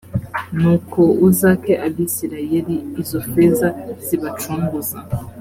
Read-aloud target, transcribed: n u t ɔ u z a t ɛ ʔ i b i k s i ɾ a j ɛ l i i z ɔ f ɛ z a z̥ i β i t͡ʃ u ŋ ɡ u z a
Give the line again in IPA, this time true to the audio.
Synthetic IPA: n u k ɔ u z a k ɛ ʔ a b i s i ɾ a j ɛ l i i z ɔ f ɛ z a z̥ i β a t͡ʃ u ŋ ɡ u z a